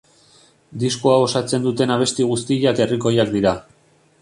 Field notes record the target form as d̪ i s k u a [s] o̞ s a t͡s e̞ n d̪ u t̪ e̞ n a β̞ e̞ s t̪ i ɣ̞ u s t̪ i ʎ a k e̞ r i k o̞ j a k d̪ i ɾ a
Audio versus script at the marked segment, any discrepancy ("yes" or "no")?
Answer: yes